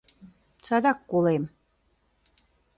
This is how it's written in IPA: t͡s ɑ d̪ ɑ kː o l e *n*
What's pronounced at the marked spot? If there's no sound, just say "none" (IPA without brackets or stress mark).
m